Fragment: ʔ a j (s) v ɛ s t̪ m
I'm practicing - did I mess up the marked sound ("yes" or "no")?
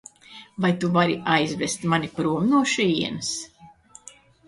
yes